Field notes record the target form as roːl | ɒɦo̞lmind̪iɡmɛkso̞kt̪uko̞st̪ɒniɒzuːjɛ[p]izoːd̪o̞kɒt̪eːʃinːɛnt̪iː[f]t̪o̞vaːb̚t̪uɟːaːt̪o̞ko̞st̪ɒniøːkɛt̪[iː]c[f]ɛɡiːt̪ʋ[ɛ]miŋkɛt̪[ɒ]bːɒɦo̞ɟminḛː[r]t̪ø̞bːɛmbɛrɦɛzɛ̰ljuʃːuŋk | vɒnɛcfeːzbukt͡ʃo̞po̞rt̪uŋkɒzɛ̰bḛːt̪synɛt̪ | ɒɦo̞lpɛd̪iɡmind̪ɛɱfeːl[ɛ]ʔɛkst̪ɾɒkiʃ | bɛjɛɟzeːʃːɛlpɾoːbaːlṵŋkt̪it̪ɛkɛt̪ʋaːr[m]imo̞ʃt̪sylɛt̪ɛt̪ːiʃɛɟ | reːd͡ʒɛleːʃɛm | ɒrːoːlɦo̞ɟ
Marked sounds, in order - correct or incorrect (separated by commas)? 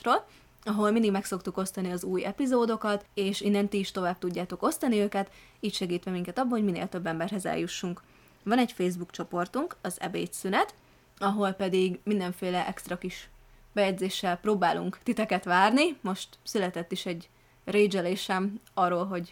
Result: correct, incorrect, correct, incorrect, correct, correct, incorrect, correct, incorrect